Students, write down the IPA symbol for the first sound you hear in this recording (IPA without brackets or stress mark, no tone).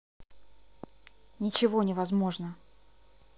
nʲ